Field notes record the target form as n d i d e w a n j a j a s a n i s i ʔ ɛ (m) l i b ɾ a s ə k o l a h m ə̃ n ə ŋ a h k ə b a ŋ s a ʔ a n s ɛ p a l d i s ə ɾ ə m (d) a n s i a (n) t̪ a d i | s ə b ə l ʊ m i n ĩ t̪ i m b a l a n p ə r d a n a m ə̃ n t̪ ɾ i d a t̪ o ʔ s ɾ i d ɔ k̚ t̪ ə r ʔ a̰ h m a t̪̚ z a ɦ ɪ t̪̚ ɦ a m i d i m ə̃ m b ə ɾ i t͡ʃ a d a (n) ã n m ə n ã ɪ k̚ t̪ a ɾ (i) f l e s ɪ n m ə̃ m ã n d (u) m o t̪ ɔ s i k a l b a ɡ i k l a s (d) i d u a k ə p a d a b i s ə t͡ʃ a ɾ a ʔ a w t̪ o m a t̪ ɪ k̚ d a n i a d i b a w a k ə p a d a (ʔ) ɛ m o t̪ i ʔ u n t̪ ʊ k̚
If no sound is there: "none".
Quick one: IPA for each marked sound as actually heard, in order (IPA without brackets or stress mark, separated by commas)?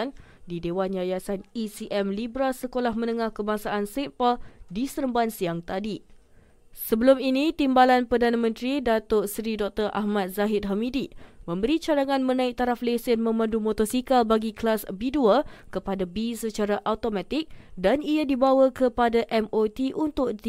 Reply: m, b, ŋ, ŋ, a, u, b, ʔ